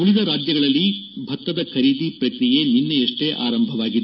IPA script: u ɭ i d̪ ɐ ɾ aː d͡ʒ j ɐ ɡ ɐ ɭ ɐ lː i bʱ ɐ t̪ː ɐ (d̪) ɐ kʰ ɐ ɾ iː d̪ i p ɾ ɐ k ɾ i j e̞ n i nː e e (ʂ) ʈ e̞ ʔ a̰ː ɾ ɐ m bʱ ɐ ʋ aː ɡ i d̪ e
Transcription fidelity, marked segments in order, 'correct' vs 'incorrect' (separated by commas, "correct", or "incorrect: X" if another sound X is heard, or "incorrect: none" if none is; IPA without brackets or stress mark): correct, correct